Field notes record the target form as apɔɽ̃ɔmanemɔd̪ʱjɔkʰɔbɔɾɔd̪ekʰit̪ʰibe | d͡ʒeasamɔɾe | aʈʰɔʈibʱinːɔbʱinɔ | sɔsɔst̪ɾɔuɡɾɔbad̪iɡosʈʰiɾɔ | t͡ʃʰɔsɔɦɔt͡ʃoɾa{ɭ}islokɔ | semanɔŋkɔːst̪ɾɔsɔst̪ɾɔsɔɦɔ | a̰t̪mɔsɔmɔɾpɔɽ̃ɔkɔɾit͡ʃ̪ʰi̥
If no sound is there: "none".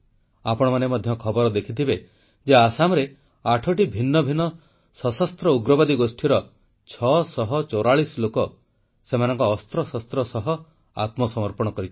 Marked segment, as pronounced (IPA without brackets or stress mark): ɭ